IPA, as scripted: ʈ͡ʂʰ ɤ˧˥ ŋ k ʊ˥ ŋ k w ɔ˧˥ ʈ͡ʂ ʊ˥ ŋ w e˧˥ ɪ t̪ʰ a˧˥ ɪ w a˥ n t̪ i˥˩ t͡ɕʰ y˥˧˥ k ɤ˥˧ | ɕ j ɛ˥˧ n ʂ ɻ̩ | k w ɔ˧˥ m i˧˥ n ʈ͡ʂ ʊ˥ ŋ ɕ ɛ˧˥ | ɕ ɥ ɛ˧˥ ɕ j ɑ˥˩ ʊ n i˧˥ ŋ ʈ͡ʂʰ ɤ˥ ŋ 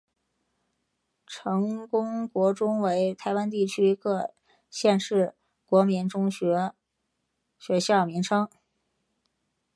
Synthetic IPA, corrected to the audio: ʈ͡ʂʰ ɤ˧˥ ŋ k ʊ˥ ŋ k w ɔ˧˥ ʈ͡ʂ ʊ˥ ŋ w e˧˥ ɪ t̪ʰ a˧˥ ɪ w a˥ n t̪ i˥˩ t͡ɕʰ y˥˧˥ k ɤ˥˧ | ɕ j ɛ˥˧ n ʂ ɻ̩ | k w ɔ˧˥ m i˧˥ n ʈ͡ʂ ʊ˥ ŋ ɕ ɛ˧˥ | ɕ ɥ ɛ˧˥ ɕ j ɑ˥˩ ʊ m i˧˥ ŋ ʈ͡ʂʰ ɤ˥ ŋ